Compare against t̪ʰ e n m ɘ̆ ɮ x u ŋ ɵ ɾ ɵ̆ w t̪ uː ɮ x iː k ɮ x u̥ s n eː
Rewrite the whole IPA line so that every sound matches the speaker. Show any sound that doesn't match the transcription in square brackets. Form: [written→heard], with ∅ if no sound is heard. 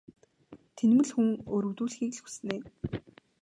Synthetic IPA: t̪ʰ e n m ɘ̆ ɮ x u ŋ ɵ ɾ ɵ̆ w t̪ uː ɮ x iː k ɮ x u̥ s n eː

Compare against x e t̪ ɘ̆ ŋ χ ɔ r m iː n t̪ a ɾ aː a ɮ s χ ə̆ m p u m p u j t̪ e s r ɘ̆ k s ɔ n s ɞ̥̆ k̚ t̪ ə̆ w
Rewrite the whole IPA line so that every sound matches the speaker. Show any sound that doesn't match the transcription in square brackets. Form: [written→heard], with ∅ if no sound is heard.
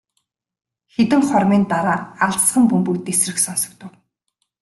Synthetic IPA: x e t̪ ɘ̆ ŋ χ ɔ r m iː n t̪ a ɾ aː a ɮ s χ ə̆ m p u m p u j t̪ e s r ɘ̆ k s ɔ n s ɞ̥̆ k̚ t̪ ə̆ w

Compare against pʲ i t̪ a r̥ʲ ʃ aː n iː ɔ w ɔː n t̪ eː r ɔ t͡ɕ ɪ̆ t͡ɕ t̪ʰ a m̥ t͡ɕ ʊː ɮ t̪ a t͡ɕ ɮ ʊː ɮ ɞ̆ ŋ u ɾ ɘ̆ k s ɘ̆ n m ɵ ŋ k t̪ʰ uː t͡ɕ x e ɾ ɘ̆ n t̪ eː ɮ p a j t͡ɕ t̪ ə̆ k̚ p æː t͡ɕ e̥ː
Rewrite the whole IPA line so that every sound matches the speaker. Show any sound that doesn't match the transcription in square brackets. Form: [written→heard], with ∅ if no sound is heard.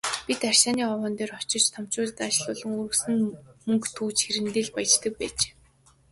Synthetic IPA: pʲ i t̪ a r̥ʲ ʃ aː n iː ɔ w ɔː n t̪ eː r ɔ t͡ɕ ɪ̆ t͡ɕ t̪ʰ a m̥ t͡ɕ ʊː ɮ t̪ a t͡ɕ ɮ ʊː ɮ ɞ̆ ŋ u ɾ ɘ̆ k s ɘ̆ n m ɵ ŋ k t̪ʰ uː t͡ɕ x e ɾ ɘ̆ n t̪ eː ɮ p a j t͡ɕ t̪ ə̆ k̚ p æː t͡ɕ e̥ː

